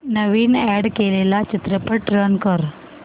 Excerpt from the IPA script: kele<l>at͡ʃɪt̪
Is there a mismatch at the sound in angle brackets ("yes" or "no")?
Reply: no